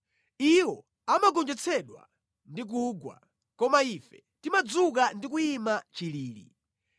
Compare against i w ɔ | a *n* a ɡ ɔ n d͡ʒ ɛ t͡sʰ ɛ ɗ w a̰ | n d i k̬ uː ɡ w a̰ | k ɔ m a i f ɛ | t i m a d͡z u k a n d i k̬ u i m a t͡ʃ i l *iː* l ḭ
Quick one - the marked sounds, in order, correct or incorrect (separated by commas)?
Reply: incorrect, correct